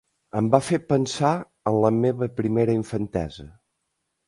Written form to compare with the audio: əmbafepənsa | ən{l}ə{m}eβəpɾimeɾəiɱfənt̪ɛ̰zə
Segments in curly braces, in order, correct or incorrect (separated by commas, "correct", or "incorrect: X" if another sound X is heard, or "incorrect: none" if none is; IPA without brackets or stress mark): correct, correct